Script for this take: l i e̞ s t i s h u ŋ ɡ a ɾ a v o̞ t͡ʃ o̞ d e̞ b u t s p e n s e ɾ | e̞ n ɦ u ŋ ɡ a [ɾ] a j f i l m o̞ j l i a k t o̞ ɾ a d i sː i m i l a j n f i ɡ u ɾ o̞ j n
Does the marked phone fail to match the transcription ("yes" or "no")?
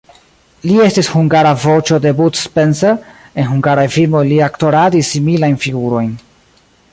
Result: no